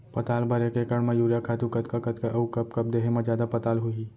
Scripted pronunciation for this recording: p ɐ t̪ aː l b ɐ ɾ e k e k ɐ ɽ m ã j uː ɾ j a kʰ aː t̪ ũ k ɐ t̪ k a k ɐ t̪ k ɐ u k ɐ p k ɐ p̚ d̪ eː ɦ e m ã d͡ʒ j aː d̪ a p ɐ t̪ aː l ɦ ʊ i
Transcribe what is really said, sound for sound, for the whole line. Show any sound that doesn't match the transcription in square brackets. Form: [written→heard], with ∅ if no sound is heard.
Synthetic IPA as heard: p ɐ t̪ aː l b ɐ ɾ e k e k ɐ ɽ m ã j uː ɾ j a kʰ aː t̪ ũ k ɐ t̪ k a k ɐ t̪ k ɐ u k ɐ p k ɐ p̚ d̪ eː ɦ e m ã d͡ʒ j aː d̪ a p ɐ t̪ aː l ɦ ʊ i